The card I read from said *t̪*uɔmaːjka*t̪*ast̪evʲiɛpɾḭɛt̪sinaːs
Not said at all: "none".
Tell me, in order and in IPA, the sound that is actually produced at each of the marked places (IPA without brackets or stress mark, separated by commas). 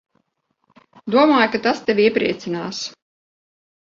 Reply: d̪, t̪